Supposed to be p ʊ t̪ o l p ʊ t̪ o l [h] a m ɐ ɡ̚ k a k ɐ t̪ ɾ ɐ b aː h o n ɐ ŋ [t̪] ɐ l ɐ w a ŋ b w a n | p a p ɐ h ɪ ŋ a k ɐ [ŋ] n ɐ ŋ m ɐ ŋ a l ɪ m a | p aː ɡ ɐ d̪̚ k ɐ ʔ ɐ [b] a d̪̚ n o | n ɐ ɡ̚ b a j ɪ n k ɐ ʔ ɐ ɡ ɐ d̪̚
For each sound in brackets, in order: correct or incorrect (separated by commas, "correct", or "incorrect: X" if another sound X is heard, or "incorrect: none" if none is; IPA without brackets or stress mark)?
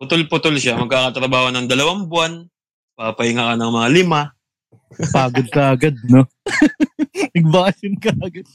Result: incorrect: ʃ, incorrect: d̪, incorrect: none, incorrect: ɡ